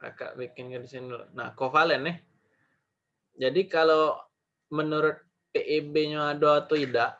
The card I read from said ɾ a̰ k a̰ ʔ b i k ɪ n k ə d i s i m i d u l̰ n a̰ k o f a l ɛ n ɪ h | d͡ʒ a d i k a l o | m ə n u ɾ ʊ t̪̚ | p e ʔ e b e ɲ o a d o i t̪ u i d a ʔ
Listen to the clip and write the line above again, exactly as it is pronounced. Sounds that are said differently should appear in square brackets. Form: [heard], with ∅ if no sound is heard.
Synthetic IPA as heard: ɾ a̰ k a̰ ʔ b i k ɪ n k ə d i s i [n] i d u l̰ n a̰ k o f a l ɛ n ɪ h | d͡ʒ a d i k a l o | m ə n u ɾ ʊ t̪̚ | p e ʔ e b e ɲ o a d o [a] t̪ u i d a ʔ